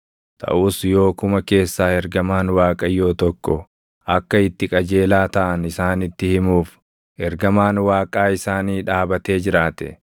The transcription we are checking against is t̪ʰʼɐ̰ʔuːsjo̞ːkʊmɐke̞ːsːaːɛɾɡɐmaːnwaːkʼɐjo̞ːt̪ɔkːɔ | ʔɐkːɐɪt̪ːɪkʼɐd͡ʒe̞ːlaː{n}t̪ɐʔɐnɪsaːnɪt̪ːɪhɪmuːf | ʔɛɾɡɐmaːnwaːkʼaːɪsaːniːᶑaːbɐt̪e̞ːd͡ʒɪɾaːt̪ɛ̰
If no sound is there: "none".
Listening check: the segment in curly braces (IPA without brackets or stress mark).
none